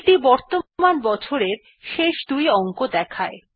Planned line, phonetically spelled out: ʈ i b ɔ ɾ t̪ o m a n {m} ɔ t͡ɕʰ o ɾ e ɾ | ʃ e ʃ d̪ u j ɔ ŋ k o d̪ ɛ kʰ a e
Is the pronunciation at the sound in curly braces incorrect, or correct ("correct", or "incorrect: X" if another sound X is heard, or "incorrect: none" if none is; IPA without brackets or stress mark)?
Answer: incorrect: b